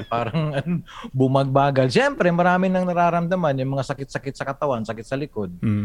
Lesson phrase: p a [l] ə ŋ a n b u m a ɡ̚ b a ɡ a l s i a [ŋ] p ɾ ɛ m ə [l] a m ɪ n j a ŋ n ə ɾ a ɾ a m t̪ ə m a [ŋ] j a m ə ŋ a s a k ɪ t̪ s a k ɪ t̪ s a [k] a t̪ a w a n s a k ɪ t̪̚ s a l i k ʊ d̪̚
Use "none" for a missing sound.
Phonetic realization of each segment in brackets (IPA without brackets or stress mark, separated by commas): ɾ, m, ɾ, n, k